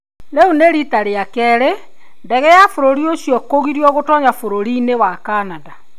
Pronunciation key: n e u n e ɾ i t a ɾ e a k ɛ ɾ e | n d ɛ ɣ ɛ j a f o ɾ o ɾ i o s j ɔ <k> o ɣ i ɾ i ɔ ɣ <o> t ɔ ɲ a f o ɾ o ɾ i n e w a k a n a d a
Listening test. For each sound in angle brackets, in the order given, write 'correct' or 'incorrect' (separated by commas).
correct, correct